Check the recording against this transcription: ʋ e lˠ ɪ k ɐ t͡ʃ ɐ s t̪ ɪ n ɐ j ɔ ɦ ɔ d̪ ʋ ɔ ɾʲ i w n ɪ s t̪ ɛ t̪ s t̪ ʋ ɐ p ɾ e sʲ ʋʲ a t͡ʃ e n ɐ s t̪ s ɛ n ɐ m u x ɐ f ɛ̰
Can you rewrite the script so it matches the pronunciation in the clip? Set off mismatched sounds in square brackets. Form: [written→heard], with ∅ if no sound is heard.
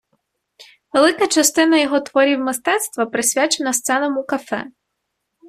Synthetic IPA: ʋ e lˠ ɪ k ɐ t͡ʃ ɐ s t̪ ɪ n ɐ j ɔ ɦ ɔ [d̪→t̪] ʋ ɔ ɾʲ i w [n→m] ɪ s t̪ ɛ t̪ s t̪ ʋ ɐ p ɾ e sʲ ʋʲ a t͡ʃ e n ɐ s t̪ s ɛ n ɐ m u [x→k] ɐ f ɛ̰